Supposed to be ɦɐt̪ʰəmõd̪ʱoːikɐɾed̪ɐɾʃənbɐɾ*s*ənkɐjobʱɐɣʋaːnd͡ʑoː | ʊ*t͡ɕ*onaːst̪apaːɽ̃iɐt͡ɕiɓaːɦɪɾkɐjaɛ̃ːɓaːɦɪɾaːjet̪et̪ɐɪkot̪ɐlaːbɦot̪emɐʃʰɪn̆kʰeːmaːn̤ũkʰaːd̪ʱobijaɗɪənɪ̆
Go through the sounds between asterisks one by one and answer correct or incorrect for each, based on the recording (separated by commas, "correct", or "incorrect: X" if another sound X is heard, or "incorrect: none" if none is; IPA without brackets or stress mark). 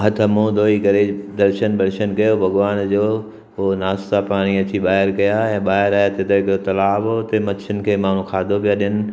incorrect: ʃ, incorrect: none